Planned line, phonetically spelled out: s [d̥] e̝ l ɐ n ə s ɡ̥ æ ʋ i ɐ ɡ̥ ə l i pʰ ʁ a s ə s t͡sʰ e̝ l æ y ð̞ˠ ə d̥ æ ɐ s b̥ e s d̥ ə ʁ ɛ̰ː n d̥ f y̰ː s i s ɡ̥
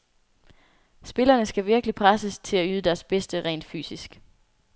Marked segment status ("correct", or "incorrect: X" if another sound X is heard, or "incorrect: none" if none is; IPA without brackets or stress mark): incorrect: b̥